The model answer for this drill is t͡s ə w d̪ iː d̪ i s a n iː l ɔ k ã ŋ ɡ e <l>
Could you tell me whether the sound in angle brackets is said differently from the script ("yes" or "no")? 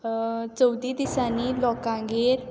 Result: yes